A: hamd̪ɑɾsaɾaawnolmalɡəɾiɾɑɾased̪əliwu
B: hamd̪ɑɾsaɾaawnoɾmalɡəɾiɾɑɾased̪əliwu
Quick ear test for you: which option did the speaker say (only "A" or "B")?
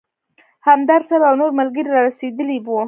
B